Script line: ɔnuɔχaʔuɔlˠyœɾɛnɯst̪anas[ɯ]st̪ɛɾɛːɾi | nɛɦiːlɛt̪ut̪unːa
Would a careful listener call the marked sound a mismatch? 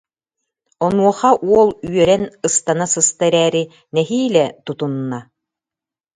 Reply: no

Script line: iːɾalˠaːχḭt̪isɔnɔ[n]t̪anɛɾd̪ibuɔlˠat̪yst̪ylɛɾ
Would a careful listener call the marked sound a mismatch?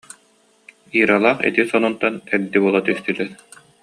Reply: no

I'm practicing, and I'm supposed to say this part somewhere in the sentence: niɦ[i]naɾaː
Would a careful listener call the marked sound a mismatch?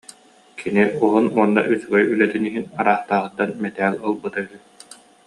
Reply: no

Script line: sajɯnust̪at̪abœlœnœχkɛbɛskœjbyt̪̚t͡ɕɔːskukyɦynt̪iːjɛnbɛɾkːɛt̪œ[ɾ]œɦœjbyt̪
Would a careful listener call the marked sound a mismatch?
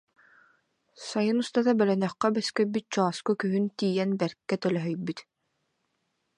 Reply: yes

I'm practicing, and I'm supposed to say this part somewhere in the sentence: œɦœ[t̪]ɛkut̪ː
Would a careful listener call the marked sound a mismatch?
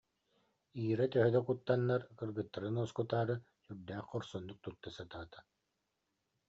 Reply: yes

